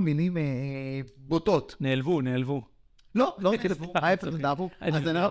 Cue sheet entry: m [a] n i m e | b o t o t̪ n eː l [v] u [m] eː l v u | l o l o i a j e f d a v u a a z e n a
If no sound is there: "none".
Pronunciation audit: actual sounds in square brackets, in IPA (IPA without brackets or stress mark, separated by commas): i, v, n